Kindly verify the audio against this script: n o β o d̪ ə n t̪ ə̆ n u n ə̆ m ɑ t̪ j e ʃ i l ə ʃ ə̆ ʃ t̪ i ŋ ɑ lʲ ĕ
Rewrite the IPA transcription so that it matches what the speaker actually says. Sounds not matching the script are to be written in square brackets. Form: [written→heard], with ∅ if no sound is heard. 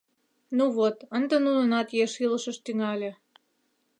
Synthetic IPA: n [o→u] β o [d̪→t̪] ə n [t̪→d̪] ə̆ n u n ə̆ [m→n] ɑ t̪ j e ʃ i l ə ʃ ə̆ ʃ t̪ [i→y] ŋ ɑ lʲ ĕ